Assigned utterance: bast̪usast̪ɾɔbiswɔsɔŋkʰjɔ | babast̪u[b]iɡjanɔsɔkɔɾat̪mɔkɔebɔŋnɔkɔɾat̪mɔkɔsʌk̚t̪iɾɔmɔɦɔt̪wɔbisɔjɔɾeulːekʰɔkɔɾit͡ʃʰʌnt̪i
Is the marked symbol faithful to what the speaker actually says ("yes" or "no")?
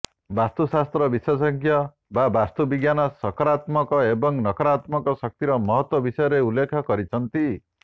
yes